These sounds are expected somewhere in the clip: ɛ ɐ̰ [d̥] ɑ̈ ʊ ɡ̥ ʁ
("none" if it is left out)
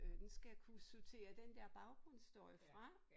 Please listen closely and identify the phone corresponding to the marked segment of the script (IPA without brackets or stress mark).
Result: b̥